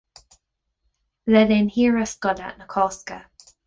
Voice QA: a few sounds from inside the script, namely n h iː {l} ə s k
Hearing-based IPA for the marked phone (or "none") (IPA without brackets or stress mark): ɹ